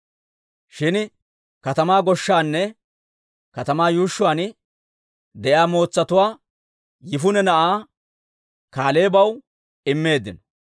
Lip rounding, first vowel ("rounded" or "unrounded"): unrounded